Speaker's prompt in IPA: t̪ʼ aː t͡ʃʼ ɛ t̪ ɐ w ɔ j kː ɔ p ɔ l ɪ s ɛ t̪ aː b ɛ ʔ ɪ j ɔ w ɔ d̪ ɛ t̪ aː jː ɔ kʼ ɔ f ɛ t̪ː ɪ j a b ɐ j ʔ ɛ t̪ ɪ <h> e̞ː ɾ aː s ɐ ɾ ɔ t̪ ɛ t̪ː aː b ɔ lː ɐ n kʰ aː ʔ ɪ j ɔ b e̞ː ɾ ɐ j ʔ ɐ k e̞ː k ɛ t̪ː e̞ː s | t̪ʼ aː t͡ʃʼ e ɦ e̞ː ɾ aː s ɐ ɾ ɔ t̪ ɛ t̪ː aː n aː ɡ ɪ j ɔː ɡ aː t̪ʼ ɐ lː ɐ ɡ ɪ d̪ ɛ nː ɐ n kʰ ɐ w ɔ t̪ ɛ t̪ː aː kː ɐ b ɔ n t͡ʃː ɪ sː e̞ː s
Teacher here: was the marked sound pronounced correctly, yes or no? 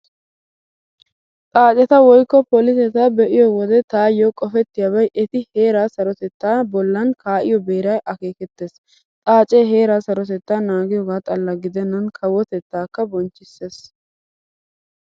yes